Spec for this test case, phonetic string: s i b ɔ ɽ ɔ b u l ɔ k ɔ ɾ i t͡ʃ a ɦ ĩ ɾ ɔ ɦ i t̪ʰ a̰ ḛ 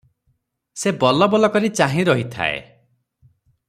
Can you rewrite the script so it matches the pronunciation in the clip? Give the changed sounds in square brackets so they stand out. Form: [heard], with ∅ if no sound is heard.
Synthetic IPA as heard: s [e] b ɔ [l] ɔ b [ɔ] l ɔ k ɔ ɾ i t͡ʃ a ɦ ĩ ɾ ɔ ɦ i t̪ʰ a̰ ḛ